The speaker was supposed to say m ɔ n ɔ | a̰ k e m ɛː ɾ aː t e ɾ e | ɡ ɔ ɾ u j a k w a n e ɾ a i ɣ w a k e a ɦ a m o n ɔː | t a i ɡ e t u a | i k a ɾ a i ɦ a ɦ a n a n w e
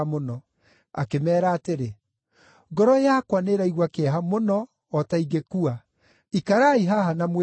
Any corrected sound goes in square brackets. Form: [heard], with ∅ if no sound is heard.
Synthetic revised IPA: m [o] n ɔ | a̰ k e m ɛː ɾ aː t e ɾ e | ɡ ɔ ɾ [ɔ] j a k w a n e ɾ a i ɣ w a k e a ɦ a m o n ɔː | t a i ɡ e [k] u a | i k a ɾ a i ɦ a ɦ a n a [m] w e